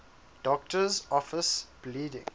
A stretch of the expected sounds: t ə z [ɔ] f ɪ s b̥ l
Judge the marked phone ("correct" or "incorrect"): correct